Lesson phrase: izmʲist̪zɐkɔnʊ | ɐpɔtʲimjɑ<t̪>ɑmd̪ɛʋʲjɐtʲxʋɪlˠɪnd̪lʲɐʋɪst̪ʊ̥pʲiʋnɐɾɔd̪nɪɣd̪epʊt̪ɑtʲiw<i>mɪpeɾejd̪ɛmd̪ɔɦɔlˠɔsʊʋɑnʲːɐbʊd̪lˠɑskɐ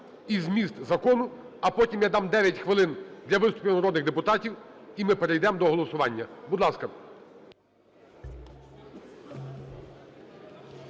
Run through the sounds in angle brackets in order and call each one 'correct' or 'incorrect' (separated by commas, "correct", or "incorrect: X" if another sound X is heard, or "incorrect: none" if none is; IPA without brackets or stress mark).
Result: incorrect: d̪, correct